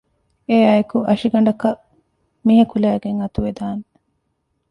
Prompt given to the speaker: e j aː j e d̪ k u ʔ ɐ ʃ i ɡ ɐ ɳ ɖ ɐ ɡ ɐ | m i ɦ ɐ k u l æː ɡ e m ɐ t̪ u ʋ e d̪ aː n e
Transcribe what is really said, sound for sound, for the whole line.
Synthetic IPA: e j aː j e k u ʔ ɐ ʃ i ɡ ɐ ɳ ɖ ɐ k ɐ | m i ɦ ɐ k u l æː ɡ e ŋ ɐ t̪ u ʋ e d̪ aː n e